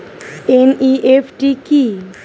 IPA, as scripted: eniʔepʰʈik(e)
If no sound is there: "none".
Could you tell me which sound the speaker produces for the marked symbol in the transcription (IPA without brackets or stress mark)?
i